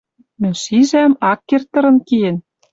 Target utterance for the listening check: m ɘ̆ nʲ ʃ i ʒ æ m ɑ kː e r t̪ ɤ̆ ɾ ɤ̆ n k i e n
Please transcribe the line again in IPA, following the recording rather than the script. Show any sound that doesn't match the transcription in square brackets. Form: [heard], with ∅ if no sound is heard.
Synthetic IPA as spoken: m ɘ̆ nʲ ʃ i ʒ æ m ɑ kː e r t̪ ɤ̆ ɾ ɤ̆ n k i e n